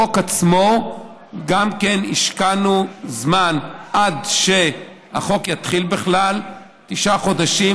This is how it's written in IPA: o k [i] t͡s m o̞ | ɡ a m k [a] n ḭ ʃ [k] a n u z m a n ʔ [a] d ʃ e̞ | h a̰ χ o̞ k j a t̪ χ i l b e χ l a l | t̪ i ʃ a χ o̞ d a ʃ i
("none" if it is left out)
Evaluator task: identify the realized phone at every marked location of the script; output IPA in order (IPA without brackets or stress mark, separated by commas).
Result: a, e, k, a